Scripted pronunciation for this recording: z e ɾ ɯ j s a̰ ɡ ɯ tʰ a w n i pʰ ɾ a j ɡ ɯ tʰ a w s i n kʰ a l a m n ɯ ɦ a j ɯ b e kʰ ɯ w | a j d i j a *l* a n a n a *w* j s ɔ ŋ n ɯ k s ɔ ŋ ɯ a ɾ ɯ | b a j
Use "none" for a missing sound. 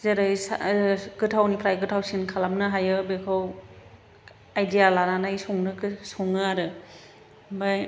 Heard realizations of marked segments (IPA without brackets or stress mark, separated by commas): l, none